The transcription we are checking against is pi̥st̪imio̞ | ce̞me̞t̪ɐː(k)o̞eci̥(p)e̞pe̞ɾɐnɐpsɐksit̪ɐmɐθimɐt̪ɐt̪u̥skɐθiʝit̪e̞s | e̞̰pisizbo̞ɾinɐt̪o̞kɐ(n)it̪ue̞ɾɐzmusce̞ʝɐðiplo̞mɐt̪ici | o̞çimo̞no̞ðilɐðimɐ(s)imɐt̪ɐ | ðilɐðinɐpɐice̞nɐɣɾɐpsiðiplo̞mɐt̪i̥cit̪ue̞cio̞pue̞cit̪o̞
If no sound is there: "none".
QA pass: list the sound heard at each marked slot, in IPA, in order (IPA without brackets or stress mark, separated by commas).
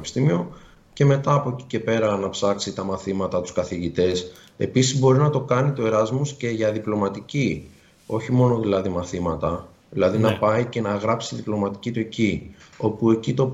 p, c, n, θ